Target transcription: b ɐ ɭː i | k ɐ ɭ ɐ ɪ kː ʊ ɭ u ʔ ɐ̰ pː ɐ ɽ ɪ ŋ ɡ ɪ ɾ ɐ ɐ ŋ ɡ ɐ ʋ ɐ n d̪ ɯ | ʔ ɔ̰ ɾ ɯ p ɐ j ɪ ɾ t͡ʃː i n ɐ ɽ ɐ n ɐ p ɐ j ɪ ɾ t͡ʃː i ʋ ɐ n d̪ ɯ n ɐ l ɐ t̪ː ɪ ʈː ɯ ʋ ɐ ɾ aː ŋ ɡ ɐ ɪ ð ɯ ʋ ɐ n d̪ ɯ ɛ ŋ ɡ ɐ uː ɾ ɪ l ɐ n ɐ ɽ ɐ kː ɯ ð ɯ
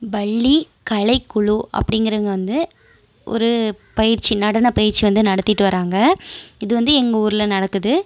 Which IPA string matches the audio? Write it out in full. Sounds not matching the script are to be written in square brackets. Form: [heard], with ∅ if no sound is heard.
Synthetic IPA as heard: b ɐ ɭː i | k ɐ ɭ ɐ ɪ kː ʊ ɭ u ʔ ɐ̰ pː ɐ ɽ ɪ ŋ ɡ ɪ ɾ ɐ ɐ ŋ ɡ ɐ ʋ ɐ n d̪ ɯ | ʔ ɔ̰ ɾ ɯ p ɐ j ɪ ɾ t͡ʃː i n ɐ ɽ ɐ n ɐ p ɐ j ɪ ɾ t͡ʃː i ʋ ɐ n d̪ ɯ n ɐ [ɽ] ɐ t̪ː ɪ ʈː ɯ ʋ ɐ ɾ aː ŋ ɡ ɐ ɪ ð ɯ ʋ ɐ n d̪ ɯ ɛ ŋ ɡ ɐ uː ɾ ɪ l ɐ n ɐ ɽ ɐ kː ɯ ð ɯ